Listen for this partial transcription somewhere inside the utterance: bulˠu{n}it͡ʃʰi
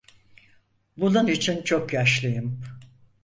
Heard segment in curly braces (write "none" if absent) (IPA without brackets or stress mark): n